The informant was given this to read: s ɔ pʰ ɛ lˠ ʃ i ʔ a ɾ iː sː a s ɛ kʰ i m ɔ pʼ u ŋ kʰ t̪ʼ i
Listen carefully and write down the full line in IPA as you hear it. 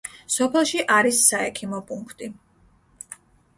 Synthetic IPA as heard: s ɔ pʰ ɛ lˠ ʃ i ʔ a ɾ i sː a ɛ kʰ i m ɔ pʼ u ŋ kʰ t̪ʼ i

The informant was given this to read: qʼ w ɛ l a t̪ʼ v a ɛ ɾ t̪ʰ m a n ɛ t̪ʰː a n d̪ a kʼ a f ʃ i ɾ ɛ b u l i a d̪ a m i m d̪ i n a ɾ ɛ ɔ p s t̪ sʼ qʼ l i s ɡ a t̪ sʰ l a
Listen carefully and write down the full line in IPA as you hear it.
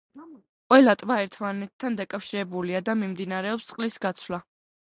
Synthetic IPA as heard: qʼ w ɛ l a t̪ʼ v a ɛ ɾ t̪ʰ m a n ɛ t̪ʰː a n d̪ a kʼ a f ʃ i ɾ ɛ b u l i a d̪ a m i m d̪ i n a ɾ ɛ ɔ p s t̪ sʼ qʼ l i s ɡ a t̪ sʰ l a

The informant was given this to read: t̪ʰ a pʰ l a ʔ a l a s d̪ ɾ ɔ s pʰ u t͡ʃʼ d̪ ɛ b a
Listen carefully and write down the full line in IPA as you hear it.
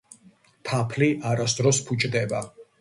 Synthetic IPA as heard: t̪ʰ a pʰ l i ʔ a ɾ a s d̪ ɾ ɔ s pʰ u t͡ʃʼ d̪ ɛ b a

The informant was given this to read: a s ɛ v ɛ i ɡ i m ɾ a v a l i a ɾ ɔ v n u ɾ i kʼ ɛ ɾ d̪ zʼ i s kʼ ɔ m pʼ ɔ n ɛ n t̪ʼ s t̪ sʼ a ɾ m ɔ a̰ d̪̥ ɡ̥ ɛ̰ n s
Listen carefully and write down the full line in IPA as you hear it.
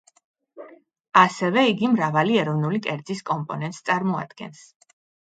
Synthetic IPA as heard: a s ɛ v ɛ i ɡ i m ɾ a v a l i ɛ ɾ ɔ v n u l i kʼ ɛ ɾ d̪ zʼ i s kʼ ɔ m pʼ ɔ n ɛ n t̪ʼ s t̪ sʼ a ɾ m ɔ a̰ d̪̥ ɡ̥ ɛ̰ n s

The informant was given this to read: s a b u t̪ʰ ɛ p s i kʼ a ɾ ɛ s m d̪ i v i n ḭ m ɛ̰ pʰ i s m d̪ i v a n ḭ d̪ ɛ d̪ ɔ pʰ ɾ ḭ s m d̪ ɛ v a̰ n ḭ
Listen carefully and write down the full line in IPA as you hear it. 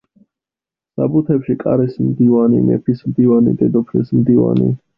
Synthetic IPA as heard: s a b u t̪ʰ ɛ p ʃ i kʼ a ɾ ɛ s m d̪ i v a n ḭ m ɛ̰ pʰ i s m d̪ i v a n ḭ d̪ ɛ d̪ ɔ pʰ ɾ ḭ s m d̪ i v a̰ n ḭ

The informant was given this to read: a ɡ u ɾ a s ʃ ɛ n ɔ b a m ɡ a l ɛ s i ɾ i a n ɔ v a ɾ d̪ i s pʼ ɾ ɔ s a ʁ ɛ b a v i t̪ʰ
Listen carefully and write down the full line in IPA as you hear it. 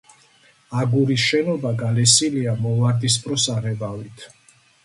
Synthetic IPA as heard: a ɡ u ɾ i s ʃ ɛ n ɔ b a ɡ a l ɛ s i l i a m ɔ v a ɾ d̪ i s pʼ ɾ ɔ s a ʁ ɛ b a v i t̪ʰ

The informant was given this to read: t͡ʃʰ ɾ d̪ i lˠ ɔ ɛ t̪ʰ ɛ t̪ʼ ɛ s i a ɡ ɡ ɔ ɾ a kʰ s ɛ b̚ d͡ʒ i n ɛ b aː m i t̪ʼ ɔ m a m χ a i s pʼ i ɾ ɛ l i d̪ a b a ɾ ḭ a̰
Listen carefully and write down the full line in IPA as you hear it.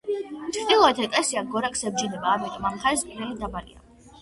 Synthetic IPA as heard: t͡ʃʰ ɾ d̪ i lˠ ɔ ɛ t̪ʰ ɛ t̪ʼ ɛ s i a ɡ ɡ ɔ ɾ a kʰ s ɛ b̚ d͡ʒ i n ɛ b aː m i t̪ʼ ɔ m a m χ a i s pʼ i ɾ ɛ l i d̪ a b a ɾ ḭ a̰

